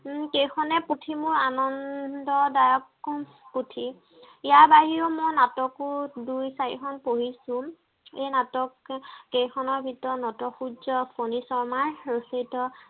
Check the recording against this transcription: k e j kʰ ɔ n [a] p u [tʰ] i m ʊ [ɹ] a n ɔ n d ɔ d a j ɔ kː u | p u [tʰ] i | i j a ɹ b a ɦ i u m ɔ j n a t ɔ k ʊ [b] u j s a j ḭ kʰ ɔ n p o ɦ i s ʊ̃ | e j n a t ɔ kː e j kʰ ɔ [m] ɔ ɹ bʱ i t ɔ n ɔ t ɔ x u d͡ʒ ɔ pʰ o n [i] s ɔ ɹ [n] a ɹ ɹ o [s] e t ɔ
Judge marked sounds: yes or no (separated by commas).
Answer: no, yes, yes, yes, no, no, yes, no, yes